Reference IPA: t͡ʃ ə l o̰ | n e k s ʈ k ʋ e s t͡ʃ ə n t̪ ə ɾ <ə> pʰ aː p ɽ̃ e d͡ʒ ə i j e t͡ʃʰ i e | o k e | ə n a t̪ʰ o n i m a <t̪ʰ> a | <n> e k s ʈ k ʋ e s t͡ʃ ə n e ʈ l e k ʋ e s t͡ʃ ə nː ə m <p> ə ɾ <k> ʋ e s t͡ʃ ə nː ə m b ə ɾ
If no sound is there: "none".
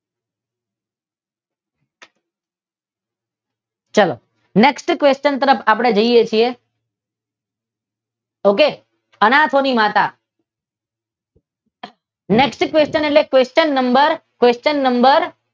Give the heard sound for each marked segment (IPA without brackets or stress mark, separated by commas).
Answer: ə, t̪, n, b, k